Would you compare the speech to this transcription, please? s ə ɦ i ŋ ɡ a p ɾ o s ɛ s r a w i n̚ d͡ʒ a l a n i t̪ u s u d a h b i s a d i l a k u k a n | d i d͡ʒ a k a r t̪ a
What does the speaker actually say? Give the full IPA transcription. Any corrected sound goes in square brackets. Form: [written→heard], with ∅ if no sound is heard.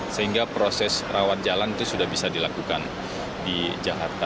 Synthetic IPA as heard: s ə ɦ i ŋ ɡ a p ɾ o s ɛ s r a w [i→a] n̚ d͡ʒ a l a n i t̪ u s u d a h b i s a d i l a k u k a n | d i d͡ʒ a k a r t̪ a

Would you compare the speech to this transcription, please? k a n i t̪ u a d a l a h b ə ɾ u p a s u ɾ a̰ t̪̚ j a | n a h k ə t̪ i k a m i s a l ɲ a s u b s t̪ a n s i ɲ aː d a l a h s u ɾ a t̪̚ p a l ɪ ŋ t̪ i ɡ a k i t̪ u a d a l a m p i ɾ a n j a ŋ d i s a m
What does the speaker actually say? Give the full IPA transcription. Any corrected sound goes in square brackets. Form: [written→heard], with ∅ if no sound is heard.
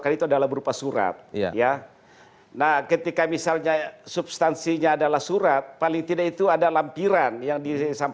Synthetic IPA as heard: k a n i t̪ u a d a l a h b ə ɾ u p a s u ɾ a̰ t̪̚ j a | n a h k ə t̪ i k a m i s a l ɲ a s u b s t̪ a n s i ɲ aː d a l a h s u ɾ a t̪̚ p a l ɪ ŋ t̪ i [ɡ→d] a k i t̪ u a d a l a m p i ɾ a n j a ŋ d i s a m

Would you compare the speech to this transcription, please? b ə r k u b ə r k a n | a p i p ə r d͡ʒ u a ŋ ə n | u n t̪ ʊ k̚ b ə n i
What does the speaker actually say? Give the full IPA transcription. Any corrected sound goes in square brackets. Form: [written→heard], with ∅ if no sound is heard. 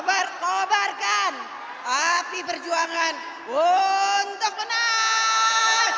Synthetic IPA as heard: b [ə→a] r k [u→o] b [ə→a] r k a n | a p i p ə r d͡ʒ u a ŋ [ə→a] n | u n t̪ ʊ k̚ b ə n [i→a]

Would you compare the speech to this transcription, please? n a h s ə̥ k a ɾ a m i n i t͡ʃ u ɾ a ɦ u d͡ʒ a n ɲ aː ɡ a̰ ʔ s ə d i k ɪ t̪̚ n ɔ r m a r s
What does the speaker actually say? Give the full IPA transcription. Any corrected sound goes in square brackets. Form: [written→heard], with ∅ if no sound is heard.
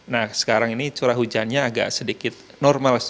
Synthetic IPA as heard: n a h s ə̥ k a ɾ a [m→ŋ] i n i t͡ʃ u ɾ a ɦ u d͡ʒ a n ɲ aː ɡ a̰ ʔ s ə d i k ɪ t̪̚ n ɔ r m a [r→l] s

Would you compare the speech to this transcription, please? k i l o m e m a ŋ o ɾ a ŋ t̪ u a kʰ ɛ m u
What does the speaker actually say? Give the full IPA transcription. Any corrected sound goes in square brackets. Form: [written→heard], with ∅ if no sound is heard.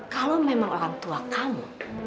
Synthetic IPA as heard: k [i→a] l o m e m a ŋ o ɾ a ŋ t̪ u a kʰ [ɛ→a] m u

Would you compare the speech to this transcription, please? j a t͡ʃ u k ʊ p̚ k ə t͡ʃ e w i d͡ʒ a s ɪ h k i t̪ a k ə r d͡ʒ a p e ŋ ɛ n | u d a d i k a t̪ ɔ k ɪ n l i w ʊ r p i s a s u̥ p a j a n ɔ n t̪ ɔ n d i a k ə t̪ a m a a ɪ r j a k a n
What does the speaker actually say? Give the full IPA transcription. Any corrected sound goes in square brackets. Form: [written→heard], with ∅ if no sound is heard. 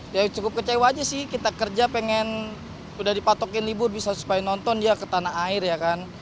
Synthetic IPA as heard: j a t͡ʃ u k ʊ p̚ k ə t͡ʃ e w [i→a] d͡ʒ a s ɪ h k i t̪ a k ə r d͡ʒ a p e ŋ ɛ n | u d a d i [k→p] a t̪ ɔ k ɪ n l i [w→b] ʊ r [p→b] i s a s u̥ p a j a n ɔ n t̪ ɔ n d i a k ə t̪ a [m→n] a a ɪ r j a k a n

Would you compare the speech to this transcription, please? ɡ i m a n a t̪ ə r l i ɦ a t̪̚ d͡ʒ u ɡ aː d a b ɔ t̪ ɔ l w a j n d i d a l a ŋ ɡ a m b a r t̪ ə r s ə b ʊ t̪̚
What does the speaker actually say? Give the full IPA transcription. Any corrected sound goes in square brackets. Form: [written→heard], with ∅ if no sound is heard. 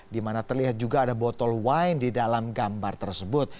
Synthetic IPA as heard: [ɡ→d] i m a n a t̪ ə r l i ɦ a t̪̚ d͡ʒ u ɡ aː d a b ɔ t̪ ɔ l w a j n d i d a l a [ŋ→m] ɡ a m b a r t̪ ə r s ə b ʊ t̪̚

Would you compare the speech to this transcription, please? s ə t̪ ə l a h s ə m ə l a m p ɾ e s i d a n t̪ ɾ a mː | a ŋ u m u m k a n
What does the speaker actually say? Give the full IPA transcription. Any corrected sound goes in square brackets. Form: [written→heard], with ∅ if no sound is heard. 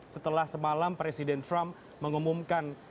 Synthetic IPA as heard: s ə t̪ ə l a h s ə m [ə→a] l a m p ɾ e s i d [a→ɛ] n t̪ ɾ a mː | [a→ə] ŋ u m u m k a n

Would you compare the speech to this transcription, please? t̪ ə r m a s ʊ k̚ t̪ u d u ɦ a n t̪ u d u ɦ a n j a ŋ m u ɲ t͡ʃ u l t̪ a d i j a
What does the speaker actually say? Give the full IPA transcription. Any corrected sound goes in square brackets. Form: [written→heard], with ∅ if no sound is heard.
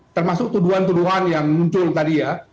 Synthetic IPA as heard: t̪ ə r m a s ʊ k̚ t̪ u d u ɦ a n t̪ u d u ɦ a n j a ŋ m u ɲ t͡ʃ [u→ʊ] l t̪ a d i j a

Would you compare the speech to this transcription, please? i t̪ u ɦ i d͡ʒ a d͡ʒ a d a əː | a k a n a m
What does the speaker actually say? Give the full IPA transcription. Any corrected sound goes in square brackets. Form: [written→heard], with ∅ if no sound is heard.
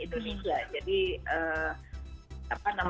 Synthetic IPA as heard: i t̪ u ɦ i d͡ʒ a d͡ʒ a d [a→i] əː | a [k→p] a n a m

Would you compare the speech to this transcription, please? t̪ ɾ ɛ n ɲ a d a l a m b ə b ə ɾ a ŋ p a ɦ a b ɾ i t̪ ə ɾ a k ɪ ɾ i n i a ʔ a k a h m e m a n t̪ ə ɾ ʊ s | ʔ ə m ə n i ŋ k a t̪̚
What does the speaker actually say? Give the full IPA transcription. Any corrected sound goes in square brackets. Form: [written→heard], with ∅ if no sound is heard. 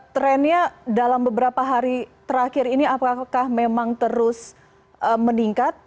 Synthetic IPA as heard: t̪ ɾ ɛ n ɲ a d a l a m b ə b ə ɾ a [ŋ→∅] p a ɦ a [b→∅] ɾ i t̪ ə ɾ a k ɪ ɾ i n i a [ʔ→p] a k a h m e m a [n→ŋ] t̪ ə ɾ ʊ s | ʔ ə m ə n i ŋ k a t̪̚

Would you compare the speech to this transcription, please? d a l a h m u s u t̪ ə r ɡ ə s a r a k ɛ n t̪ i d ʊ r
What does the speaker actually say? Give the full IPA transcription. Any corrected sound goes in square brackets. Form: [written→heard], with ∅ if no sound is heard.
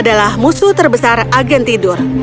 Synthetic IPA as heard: d a l a h m u s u t̪ ə r [ɡ→b] ə s a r a [k→ɡ] ɛ n t̪ i d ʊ r

